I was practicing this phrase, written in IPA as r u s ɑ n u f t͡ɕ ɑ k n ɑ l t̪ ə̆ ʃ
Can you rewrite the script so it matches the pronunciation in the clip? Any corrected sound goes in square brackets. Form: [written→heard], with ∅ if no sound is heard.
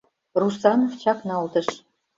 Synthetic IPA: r u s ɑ n [u→o] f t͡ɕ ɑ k n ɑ l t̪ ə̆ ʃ